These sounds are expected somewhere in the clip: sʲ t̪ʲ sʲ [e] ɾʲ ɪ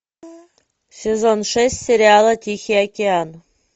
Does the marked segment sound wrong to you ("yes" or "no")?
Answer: no